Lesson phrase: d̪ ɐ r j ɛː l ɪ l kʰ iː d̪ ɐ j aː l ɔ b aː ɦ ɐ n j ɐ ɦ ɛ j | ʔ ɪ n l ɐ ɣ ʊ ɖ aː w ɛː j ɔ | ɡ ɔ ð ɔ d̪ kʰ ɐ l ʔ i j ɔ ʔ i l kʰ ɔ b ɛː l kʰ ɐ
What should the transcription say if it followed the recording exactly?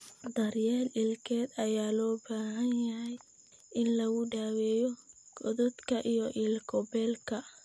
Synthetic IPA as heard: d̪ ɐ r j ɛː l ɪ l kʰ ɛː d̪ ɐ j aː l ɔː b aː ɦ ɐ n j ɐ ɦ ɛ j | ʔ ɪ n l ɐ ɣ ʊ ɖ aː w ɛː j ɔ | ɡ ɔ ð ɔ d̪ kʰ ɐ ʔ i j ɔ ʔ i l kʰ ɔ b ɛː l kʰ ɐ